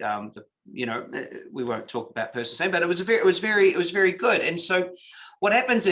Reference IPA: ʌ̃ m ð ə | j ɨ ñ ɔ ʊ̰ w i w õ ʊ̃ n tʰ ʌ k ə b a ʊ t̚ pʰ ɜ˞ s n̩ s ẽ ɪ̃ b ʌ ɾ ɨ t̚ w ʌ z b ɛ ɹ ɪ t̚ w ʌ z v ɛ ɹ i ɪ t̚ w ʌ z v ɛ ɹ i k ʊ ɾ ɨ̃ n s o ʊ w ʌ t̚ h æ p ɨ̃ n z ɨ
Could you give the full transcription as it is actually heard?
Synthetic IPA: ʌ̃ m ð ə | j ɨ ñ o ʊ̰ w i w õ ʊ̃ n tʰ ɔ k ə b a ʊ t̚ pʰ ɜ˞ s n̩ s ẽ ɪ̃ b ʌ ɾ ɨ t̚ w ʌ z v ɛ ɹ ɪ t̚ w ʌ z v ɛ ɹ i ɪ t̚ w ʌ z v ɛ ɹ i ɡ ʊ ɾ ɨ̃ n s o ʊ w ʌ t̚ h æ p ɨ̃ n z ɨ

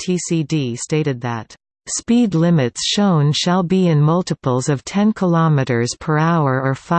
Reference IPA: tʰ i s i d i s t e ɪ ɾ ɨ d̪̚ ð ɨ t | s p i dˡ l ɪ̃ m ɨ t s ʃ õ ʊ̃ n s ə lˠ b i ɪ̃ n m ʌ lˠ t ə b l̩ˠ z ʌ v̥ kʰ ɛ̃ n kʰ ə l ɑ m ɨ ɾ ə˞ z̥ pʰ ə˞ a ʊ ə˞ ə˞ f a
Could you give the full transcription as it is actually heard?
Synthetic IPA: tʰ i s i d i s t e ɪ ɾ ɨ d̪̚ ð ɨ t | s p i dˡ l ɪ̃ m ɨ t s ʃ õ ʊ̃ n ʃ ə lˠ b i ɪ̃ n m ʌ lˠ t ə p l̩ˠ z ʌ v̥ tʰ ɛ̃ n kʰ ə l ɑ m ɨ ɾ ə˞ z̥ pʰ ə˞ a ʊ ə˞ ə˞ f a

